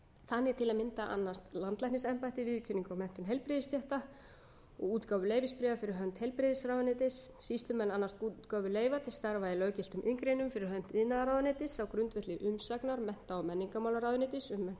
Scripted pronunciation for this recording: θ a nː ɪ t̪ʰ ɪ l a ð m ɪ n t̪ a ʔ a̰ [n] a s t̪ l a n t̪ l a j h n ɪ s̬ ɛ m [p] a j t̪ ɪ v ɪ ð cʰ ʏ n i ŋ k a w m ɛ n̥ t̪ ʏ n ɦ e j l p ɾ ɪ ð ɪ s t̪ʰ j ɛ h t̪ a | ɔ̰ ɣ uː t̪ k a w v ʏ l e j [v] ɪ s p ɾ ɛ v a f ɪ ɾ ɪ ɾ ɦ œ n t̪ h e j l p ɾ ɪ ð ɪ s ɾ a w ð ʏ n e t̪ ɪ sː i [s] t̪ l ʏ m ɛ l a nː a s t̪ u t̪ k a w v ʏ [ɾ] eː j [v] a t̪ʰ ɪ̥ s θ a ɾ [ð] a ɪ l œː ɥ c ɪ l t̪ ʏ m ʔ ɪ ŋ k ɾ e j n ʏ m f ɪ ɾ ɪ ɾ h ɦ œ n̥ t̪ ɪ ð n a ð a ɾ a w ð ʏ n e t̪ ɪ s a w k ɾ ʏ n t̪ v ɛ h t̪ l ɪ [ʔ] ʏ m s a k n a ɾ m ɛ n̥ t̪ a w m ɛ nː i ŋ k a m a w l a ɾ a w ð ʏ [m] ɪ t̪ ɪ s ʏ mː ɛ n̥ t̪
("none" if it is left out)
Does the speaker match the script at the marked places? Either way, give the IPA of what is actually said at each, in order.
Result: nː, p, v, s, l, v, v, ʔ, n

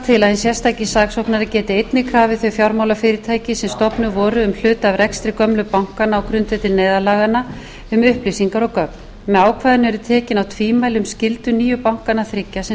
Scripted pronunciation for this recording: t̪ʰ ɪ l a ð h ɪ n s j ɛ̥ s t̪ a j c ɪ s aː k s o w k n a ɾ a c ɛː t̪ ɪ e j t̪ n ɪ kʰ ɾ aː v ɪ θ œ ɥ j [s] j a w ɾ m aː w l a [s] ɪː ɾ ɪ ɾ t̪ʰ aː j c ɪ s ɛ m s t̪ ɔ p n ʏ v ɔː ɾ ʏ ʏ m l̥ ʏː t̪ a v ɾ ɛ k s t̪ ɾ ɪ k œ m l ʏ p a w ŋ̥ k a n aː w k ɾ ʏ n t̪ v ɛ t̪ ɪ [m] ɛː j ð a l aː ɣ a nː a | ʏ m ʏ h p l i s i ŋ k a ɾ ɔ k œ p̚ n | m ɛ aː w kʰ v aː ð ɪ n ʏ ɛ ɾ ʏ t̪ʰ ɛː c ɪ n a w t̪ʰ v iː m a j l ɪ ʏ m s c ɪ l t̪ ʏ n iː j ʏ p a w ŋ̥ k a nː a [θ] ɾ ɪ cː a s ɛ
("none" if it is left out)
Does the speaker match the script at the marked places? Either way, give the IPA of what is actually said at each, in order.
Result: f, f, n, θ

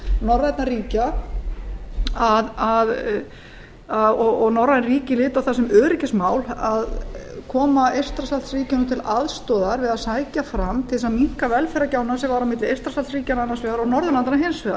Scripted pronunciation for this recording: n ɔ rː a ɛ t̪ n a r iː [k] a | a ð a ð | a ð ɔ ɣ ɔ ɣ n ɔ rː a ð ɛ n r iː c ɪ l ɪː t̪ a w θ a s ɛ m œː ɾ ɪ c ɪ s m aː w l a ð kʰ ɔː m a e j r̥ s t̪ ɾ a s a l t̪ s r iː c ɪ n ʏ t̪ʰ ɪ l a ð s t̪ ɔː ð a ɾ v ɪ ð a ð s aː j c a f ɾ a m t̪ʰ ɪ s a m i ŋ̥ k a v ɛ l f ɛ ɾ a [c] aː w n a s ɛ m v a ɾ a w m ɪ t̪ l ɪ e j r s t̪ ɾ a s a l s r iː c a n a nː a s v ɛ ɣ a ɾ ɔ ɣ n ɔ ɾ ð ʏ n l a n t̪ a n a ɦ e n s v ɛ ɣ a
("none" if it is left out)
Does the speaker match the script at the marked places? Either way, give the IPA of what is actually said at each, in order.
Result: c, c

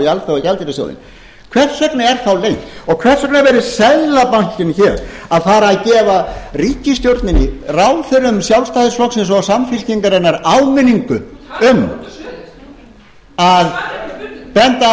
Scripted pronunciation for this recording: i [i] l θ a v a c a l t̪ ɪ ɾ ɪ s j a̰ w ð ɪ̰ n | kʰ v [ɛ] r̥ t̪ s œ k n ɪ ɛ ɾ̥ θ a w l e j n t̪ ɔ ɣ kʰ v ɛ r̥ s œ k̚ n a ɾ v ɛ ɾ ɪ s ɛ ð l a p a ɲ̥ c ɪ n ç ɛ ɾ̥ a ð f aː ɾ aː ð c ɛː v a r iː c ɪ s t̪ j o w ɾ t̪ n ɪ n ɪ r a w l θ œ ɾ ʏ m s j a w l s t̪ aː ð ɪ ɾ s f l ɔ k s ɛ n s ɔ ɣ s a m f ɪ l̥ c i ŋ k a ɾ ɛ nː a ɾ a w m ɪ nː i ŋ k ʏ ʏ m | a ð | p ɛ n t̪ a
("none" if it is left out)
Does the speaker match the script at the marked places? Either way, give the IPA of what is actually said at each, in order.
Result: a, ɛ

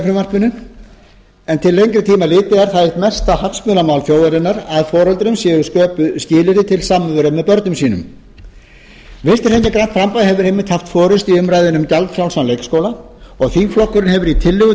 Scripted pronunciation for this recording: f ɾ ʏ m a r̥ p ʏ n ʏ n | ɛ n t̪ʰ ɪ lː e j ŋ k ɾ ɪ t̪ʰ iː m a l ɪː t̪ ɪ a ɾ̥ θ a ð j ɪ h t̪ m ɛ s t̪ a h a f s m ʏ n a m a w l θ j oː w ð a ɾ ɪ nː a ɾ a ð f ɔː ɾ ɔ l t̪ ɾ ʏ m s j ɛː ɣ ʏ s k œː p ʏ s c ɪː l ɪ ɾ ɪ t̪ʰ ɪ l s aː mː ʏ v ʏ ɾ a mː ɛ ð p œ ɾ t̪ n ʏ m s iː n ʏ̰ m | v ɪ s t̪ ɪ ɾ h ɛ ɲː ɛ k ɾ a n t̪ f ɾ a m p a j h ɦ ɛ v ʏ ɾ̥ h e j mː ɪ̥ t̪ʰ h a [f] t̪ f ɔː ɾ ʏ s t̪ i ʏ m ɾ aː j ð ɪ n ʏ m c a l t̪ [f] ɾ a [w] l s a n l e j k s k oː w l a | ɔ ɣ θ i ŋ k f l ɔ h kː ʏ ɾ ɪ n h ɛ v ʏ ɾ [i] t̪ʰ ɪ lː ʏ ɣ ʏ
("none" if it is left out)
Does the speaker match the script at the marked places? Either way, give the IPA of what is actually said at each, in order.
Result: f, f, w, i

